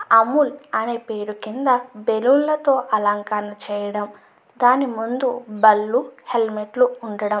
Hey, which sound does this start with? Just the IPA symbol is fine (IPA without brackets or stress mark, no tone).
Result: ɐ